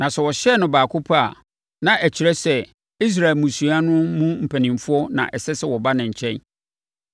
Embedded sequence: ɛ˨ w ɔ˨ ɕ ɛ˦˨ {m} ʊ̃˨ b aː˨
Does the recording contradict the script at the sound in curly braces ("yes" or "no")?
yes